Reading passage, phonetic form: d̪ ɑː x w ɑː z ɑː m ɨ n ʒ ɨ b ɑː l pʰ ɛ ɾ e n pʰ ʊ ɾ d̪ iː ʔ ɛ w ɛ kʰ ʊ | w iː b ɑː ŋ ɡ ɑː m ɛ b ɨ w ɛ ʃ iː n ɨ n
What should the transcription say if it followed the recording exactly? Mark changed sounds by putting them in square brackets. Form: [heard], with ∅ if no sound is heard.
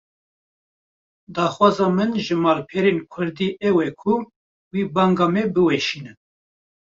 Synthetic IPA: d̪ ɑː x w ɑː z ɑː m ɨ n ʒ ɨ [m] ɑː l pʰ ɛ ɾ e n [kʰ] ʊ ɾ d̪ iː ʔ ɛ w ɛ kʰ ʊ | w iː b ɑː ŋ ɡ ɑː m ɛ b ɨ w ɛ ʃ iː n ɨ n